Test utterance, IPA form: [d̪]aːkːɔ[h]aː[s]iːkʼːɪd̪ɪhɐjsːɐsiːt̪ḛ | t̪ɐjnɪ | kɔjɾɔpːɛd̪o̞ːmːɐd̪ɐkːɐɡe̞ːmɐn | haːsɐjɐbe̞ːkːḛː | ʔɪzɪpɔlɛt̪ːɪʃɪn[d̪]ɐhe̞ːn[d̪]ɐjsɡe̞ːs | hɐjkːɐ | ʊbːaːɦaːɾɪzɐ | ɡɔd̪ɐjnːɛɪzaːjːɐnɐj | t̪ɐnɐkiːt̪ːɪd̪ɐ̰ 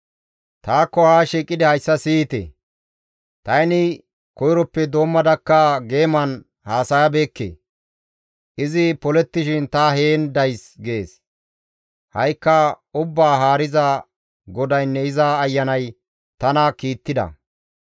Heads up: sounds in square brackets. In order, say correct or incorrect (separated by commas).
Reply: incorrect, correct, incorrect, incorrect, correct